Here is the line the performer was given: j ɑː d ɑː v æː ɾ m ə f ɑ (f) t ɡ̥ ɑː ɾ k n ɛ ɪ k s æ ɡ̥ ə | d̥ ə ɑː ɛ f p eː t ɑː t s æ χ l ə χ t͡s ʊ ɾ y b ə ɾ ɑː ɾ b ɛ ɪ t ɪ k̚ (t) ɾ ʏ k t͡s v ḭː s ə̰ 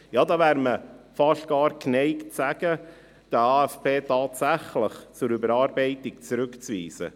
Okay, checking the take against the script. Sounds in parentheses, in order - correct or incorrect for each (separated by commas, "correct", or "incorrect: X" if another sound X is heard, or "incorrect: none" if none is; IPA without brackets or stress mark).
incorrect: ʃ, incorrect: t͡s